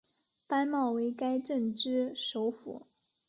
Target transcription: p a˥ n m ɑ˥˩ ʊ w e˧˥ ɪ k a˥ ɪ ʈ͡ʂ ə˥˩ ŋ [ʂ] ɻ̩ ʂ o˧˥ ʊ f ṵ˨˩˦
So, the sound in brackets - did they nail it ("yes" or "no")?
no